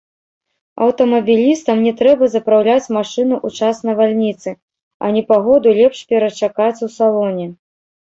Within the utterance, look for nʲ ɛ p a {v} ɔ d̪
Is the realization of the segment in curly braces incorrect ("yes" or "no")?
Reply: yes